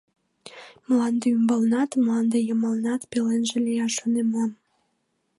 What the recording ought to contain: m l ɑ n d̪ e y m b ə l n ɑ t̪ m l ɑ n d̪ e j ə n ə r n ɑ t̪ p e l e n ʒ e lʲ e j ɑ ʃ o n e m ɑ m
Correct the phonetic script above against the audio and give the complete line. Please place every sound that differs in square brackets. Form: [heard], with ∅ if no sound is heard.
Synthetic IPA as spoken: m l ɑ n d̪ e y m b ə l n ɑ t̪ m l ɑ n d̪ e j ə [m] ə [l] n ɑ t̪ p e l e n ʒ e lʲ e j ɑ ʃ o n e m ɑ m